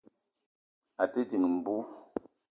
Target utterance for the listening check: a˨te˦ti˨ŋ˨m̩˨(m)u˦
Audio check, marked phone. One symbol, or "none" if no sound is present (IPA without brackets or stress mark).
b